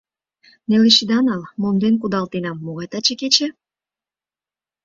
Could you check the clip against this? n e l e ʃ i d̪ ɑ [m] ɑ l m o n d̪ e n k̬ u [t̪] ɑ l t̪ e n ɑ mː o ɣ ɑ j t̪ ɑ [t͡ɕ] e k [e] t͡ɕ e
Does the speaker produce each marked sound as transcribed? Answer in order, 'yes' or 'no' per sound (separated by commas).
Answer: no, no, yes, yes